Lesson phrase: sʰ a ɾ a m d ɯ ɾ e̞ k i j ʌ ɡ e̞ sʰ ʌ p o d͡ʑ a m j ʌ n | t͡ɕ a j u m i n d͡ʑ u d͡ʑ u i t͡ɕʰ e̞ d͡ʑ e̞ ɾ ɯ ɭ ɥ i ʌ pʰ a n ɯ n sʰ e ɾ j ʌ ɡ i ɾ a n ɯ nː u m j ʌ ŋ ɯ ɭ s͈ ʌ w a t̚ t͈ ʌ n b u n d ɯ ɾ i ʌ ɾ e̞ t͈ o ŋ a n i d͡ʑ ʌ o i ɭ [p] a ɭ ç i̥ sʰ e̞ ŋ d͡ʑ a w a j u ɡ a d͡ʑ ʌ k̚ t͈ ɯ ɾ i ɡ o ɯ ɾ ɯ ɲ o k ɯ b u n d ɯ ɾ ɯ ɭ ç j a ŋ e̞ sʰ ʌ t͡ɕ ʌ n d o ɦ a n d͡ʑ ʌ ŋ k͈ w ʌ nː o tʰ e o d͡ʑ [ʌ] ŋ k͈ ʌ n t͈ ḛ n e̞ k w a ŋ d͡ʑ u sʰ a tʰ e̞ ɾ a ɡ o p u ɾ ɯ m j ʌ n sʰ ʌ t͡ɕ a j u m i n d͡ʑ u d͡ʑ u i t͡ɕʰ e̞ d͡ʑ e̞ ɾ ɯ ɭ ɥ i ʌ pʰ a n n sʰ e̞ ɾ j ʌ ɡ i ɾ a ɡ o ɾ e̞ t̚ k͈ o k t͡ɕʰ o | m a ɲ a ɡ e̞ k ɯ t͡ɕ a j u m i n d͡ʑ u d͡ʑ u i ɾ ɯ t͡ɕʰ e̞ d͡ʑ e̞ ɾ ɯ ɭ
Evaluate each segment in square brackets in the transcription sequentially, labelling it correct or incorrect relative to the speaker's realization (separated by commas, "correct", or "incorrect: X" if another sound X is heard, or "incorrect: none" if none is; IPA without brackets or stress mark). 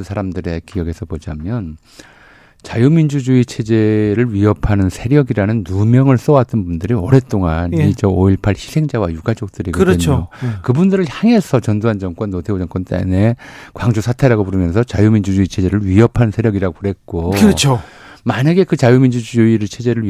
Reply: incorrect: pʰ, correct